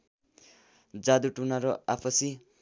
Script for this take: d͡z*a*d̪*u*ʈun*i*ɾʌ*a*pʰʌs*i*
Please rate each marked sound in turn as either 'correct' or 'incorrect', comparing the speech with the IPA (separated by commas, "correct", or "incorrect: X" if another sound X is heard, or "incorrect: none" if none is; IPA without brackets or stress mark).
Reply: correct, correct, incorrect: a, correct, correct